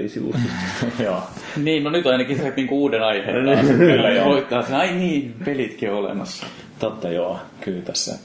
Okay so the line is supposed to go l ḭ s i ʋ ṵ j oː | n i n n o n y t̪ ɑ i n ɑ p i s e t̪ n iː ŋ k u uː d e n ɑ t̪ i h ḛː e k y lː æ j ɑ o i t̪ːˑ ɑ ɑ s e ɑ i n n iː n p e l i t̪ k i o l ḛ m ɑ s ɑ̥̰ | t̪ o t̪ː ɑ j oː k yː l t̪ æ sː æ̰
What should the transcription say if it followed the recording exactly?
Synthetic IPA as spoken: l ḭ s i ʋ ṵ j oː | n iː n n o n y t̪ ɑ i n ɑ k i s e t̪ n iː ŋ k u uː d e n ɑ i h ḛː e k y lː æ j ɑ o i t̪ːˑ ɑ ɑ s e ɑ i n n iː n p e l i t̪ k i o l ḛ m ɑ sː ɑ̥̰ | t̪ o t̪ː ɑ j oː k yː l t̪ æ sː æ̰